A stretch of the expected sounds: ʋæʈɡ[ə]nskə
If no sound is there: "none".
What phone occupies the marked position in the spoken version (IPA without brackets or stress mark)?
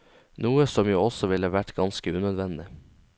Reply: ɑ